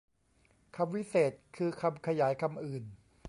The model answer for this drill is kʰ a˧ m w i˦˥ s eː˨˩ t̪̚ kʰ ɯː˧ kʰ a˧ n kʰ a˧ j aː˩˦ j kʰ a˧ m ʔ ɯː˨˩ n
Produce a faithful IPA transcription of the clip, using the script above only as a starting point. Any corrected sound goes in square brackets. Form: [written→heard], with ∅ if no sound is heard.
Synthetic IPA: kʰ a˧ m w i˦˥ s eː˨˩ t̪̚ kʰ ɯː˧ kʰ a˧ [n→m] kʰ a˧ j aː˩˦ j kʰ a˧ m ʔ ɯː˨˩ n